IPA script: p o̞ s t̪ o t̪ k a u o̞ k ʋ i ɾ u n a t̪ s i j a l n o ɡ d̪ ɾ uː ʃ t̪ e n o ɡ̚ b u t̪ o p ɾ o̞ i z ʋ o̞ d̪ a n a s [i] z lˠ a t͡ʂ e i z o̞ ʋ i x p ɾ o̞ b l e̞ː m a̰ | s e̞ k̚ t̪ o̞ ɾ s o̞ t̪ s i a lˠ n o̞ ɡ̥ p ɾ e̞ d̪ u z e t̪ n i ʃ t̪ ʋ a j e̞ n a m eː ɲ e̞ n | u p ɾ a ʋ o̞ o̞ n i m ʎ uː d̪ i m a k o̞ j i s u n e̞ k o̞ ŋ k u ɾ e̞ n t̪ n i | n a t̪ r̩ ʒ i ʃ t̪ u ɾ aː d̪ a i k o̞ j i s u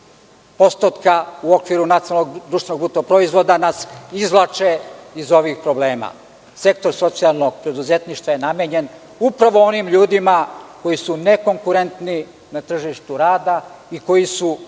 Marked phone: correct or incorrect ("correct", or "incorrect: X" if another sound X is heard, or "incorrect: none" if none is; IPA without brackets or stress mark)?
correct